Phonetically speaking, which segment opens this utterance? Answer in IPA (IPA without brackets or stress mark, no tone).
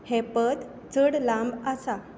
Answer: h